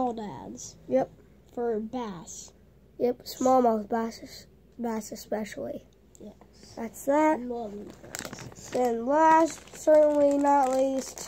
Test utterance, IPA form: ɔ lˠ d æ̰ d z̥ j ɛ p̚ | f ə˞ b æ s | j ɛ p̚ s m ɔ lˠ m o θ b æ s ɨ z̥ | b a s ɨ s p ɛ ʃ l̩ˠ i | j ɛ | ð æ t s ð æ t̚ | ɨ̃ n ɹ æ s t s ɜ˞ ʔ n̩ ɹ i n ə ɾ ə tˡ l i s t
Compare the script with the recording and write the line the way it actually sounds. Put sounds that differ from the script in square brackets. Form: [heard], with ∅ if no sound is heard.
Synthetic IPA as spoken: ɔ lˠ d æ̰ d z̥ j ɛ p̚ | f ə˞ b æ s | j ɛ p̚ s m ɔ lˠ m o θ b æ s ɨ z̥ | b [æ] s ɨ s p ɛ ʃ l̩ˠ i | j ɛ | ð æ t s ð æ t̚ | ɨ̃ n [l] æ s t s ɜ˞ ʔ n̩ [l] i n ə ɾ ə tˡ l i s t